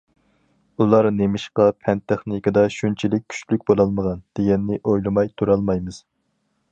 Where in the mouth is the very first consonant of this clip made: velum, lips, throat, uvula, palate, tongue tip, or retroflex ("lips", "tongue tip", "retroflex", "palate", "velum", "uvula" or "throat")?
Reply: tongue tip